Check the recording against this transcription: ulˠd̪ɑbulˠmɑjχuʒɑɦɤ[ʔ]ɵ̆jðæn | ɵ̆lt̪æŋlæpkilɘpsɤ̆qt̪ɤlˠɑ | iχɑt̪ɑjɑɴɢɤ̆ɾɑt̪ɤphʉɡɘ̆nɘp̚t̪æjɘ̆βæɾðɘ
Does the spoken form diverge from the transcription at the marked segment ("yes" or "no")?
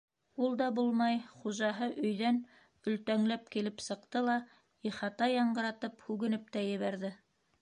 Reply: no